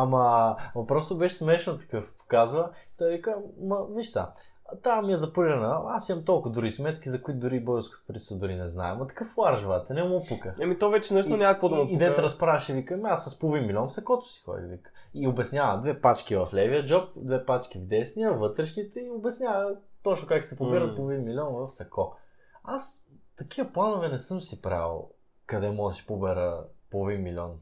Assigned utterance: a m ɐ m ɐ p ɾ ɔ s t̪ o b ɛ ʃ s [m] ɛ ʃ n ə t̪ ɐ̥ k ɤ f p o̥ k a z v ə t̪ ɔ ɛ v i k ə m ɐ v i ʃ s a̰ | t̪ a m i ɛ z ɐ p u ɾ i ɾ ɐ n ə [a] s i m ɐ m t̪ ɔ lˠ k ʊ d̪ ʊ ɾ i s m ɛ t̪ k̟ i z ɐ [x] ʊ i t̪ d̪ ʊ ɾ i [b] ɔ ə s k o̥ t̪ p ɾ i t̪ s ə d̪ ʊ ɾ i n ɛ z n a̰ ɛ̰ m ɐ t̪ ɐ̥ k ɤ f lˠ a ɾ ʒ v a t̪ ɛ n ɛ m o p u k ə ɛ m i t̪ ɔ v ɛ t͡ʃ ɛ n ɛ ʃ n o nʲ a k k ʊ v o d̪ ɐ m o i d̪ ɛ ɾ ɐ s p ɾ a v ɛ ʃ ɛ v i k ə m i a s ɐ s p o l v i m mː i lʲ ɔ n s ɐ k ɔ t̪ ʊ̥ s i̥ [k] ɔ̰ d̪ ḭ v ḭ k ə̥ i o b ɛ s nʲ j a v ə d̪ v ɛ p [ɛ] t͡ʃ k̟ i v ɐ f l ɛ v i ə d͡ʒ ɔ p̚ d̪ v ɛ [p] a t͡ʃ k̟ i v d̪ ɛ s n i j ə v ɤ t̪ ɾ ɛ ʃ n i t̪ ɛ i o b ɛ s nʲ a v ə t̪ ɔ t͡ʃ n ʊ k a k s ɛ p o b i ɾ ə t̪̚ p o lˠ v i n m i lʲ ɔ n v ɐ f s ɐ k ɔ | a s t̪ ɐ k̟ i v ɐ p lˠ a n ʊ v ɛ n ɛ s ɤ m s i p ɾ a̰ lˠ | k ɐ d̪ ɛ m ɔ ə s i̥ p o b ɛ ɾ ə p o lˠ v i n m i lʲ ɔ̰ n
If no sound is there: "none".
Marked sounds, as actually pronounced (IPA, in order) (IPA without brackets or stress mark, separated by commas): m, a, k, b, x, a, p